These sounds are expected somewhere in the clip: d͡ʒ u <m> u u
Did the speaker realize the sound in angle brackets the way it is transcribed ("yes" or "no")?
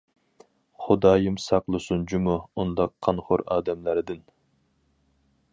yes